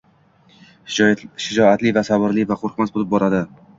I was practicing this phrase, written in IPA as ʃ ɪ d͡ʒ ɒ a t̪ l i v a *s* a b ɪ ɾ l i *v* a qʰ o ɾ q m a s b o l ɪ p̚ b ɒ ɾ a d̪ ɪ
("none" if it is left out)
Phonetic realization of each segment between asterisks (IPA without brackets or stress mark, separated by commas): s, v